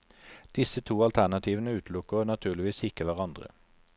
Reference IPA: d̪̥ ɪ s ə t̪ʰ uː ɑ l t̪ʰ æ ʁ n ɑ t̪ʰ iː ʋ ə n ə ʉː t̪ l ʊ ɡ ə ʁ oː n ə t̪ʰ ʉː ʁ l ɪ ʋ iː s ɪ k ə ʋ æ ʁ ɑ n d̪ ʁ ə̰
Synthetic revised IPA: d̪̥ ɪ s ə t̪ʰ uː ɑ l t̪ʰ æ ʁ n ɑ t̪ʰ iː ʋ ə n ə ʉː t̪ l ʊ k ə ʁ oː n ɑ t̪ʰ ʉː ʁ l ɪ ʋ iː s ɪ k ə ʋ æ ʁ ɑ n d̪ ʁ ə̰